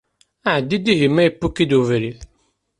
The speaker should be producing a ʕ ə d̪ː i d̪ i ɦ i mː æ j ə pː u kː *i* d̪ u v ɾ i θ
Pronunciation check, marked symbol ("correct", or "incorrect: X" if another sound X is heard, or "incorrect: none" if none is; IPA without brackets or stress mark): correct